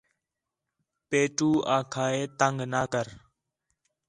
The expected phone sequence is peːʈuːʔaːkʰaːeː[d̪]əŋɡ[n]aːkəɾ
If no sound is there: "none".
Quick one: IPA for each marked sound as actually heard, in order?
t̪, n

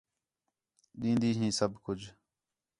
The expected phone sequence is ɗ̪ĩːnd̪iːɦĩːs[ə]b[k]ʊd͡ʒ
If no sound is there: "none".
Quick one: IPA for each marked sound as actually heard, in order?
ə, k

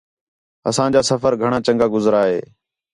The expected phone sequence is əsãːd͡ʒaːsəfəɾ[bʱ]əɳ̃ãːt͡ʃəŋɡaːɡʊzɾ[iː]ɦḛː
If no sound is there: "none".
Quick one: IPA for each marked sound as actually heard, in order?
ɡʱ, aː

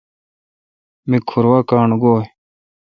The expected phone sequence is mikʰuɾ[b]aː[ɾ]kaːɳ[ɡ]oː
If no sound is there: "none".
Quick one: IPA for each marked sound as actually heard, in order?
w, none, ɡ

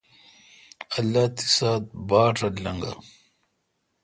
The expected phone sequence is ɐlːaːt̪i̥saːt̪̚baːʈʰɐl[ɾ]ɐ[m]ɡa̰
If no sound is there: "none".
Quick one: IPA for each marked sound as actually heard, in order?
l, ŋ

